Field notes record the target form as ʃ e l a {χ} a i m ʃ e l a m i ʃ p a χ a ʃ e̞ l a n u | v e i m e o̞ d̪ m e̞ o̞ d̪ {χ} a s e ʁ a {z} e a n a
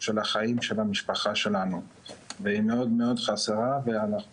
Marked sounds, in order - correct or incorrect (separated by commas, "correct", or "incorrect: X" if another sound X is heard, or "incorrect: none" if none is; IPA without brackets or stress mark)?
correct, correct, incorrect: v